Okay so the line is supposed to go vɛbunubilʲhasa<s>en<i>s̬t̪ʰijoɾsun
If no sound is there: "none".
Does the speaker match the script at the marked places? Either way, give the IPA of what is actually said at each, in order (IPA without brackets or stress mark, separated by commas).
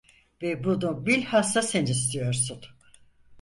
s, i